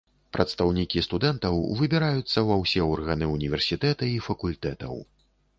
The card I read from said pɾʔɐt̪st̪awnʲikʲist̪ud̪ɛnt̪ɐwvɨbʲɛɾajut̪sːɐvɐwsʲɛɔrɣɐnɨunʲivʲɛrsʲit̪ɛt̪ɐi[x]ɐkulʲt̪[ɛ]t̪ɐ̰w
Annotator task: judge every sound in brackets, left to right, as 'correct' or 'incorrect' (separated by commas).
incorrect, correct